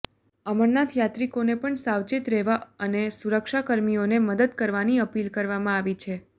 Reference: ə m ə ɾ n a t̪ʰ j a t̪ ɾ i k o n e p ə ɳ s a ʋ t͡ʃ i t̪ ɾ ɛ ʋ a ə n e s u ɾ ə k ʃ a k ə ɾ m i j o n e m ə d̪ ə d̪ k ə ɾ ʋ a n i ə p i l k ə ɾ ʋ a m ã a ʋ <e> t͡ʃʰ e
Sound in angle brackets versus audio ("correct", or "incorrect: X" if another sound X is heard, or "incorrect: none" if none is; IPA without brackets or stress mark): incorrect: i